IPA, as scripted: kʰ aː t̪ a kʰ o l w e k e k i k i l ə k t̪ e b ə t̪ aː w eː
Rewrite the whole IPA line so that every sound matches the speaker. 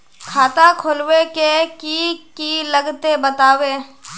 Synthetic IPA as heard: kʰ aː t̪ a kʰ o l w e k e k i k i l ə ɡ t̪ e b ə t̪ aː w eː